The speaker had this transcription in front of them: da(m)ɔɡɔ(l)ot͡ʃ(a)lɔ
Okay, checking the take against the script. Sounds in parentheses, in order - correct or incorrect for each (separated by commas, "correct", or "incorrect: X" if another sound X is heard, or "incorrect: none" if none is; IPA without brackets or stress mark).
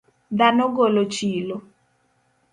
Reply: incorrect: n, correct, incorrect: i